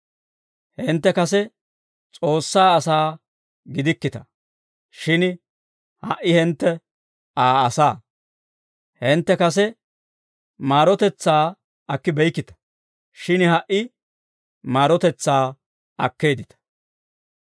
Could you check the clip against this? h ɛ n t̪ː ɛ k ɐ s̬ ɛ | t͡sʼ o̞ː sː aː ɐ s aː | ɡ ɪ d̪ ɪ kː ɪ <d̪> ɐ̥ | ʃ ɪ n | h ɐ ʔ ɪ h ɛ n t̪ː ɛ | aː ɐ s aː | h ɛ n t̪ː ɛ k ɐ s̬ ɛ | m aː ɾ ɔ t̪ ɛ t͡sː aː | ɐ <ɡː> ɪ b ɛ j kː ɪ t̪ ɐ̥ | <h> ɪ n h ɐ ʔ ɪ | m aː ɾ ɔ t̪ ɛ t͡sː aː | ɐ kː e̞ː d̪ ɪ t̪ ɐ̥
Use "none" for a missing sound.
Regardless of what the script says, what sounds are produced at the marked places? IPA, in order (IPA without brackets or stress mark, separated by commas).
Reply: t̪, kː, ʃ